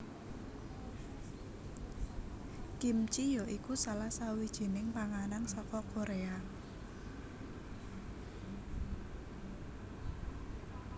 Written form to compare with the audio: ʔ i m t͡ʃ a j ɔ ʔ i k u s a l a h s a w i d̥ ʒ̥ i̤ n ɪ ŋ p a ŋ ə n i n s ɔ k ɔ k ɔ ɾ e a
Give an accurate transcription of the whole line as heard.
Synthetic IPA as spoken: k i m t͡ʃ i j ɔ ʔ i k u s a l a h s a w i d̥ ʒ̥ i̤ n ɪ ŋ p a ŋ a n a n s ɔ k ɔ k o ɾ e a